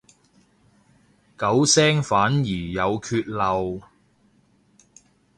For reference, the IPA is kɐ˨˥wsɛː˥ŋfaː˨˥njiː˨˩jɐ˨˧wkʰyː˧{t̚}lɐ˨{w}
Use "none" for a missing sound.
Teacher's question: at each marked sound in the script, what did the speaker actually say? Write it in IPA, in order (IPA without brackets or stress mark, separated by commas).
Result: t̚, w